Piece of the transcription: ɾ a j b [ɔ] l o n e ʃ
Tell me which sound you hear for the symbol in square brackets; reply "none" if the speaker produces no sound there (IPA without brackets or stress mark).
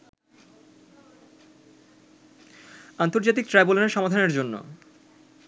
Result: o